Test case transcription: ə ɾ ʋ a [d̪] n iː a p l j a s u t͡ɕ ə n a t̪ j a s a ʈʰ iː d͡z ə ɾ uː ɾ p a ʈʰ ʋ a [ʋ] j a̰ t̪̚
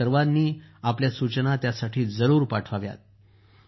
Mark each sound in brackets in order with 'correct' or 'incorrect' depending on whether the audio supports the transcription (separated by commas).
correct, correct